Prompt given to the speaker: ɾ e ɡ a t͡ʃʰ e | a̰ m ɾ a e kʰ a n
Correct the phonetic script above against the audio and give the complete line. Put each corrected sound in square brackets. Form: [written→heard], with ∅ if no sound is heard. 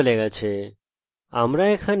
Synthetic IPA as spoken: [ɾ→l] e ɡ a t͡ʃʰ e | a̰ m ɾ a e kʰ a n